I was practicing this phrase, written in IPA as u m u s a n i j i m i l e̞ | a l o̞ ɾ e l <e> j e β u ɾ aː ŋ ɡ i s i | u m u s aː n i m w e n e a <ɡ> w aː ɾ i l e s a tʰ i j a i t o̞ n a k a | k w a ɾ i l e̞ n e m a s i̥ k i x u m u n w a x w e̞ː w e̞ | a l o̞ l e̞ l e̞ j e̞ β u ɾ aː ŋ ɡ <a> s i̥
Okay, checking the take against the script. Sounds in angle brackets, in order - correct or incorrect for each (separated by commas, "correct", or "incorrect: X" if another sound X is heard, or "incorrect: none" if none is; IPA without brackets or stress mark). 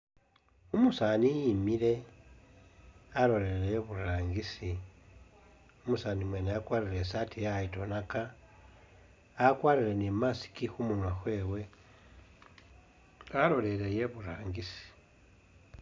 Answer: correct, incorrect: k, incorrect: i